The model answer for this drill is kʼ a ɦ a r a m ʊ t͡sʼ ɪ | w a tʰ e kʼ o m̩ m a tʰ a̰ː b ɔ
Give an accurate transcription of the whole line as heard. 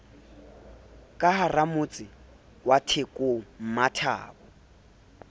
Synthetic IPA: kʼ a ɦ a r a m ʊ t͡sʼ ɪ | w a tʰ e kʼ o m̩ m a tʰ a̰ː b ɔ